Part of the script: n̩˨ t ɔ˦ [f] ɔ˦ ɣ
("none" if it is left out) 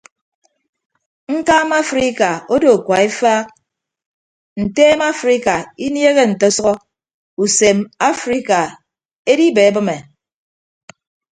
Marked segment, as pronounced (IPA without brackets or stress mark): s